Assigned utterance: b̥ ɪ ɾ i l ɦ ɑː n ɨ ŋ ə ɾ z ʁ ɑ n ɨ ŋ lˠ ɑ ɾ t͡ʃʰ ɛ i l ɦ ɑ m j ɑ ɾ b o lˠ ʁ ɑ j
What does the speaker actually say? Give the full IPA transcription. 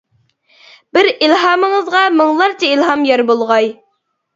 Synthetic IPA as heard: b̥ ɪ ɾ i l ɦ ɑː m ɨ ŋ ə z ʁ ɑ m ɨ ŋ lˠ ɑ ɾ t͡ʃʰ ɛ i l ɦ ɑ m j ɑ ɾ b o lˠ ʁ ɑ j